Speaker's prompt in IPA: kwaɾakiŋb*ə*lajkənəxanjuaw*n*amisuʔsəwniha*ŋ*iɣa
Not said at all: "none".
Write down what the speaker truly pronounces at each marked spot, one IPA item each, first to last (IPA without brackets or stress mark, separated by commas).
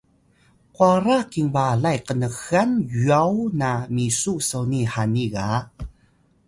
a, n, n